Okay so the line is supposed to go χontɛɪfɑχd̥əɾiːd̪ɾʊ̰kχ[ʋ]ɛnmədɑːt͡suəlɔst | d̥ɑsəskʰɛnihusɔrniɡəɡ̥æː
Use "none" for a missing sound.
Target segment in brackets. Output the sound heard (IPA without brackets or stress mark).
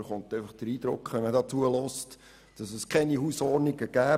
ʋ